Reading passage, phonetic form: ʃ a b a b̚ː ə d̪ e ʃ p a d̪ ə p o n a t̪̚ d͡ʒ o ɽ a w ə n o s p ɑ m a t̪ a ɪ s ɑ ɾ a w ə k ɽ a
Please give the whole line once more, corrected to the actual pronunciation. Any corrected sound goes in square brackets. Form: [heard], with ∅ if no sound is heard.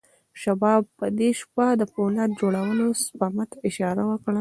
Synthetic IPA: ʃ a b [ɑ] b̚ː ə d̪ e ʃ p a d̪ ə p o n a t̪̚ d͡ʒ o ɽ a w ə n o s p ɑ m a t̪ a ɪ [ʃ] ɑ ɾ a w ə k ɽ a